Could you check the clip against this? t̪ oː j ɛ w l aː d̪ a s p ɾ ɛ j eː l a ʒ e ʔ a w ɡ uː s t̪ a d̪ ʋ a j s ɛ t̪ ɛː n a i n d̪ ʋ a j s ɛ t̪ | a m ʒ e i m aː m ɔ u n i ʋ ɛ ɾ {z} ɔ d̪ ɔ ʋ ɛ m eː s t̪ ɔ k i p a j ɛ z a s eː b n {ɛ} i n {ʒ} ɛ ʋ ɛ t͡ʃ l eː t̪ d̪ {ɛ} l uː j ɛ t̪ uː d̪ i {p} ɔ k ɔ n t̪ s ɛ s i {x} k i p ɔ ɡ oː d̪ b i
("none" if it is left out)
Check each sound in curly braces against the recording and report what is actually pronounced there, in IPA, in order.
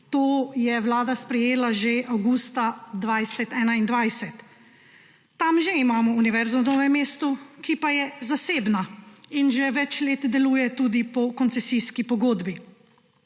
z, a, ʒ, ɛ, p, s

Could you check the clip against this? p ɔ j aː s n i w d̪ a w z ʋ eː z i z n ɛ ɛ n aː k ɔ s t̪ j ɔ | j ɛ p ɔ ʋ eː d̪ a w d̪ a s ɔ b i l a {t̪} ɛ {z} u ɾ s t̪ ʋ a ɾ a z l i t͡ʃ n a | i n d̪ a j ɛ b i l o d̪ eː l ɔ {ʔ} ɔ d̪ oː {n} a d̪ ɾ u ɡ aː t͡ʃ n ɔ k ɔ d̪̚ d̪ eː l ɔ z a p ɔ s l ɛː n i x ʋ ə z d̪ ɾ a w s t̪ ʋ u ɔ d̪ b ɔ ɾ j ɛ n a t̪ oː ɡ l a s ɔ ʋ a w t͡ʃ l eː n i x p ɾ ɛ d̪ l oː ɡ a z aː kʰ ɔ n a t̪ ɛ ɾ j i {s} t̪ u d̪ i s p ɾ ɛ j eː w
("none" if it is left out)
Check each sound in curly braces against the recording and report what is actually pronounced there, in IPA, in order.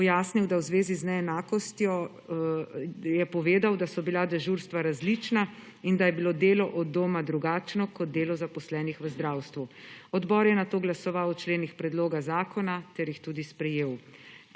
d̪, ʒ, ʔ, m, x

